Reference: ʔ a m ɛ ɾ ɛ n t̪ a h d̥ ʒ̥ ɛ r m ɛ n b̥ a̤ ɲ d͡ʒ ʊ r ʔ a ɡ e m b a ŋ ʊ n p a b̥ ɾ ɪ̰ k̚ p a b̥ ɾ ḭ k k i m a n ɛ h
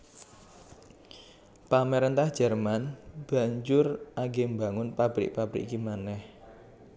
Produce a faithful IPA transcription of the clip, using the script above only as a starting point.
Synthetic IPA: p a m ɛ ɾ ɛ n t̪ a h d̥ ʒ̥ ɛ r m a n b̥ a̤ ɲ d͡ʒ ʊ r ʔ a ɡ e m b a ŋ ʊ n p a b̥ ɾ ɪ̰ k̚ p a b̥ ɾ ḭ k k i m a n ɛ h